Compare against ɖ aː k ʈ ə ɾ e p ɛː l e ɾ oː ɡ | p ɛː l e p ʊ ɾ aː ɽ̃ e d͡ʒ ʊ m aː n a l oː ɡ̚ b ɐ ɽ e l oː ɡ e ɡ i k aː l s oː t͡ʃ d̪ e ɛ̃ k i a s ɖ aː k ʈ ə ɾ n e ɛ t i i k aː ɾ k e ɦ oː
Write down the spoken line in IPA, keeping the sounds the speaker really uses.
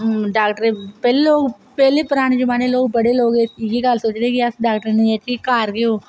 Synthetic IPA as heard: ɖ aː k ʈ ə ɾ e p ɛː l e l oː ɡ | p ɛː l e p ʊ ɾ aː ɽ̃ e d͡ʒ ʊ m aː n e l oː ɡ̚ b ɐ ɽ e l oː ɡ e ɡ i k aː l s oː t͡ʃ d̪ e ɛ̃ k i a s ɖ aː k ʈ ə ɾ n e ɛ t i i k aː ɾ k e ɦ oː

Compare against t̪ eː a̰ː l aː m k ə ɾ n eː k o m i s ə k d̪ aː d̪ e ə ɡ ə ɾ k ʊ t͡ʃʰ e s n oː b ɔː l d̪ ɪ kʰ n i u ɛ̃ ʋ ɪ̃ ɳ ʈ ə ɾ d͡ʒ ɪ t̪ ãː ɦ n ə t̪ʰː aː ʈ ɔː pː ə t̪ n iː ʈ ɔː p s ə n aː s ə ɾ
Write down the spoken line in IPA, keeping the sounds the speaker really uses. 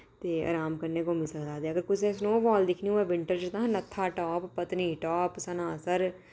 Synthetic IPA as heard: t̪ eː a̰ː ɾ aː m k ə ɾ n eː k o m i s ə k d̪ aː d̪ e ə ɡ ə ɾ k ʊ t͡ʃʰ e s n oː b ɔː l d̪ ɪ kʰ n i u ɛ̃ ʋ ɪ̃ ɳ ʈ ə ɾ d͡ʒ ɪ t̪ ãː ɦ n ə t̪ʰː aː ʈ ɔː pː ə t̪ n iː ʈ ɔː p s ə n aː s ə ɾ

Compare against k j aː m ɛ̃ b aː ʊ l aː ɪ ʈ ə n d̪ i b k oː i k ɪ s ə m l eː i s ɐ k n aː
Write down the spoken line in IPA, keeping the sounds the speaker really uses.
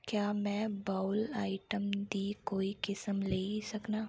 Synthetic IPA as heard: k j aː m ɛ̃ b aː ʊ l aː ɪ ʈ ə m d̪ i k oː i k ɪ s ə m l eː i s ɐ k n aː

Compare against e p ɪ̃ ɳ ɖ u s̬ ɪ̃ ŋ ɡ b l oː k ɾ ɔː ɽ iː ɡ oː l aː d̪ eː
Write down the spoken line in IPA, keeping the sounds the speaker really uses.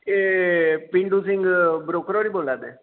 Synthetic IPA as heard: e p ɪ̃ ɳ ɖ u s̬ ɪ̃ ŋ ɡ b ɾ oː k ɾ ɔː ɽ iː b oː l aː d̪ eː

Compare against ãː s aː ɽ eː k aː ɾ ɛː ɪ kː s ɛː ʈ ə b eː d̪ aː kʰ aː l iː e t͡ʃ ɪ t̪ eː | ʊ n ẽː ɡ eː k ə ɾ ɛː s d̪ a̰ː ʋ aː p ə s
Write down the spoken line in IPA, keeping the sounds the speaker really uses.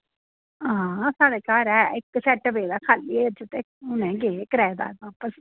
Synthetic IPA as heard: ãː s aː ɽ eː k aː ɾ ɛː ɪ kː s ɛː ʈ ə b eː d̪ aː kʰ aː l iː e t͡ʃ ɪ t̪ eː | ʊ n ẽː ɡ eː k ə ɾ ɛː d̪ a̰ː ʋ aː p ə s

